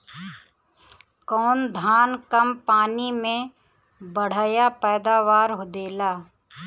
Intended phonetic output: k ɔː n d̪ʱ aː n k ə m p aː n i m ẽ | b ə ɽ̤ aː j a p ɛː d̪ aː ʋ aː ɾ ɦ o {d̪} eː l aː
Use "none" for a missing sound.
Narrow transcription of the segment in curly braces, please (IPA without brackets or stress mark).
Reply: d̪